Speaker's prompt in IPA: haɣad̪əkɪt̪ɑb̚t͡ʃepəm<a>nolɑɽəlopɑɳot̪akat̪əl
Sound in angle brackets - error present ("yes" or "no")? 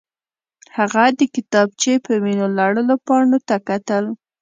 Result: yes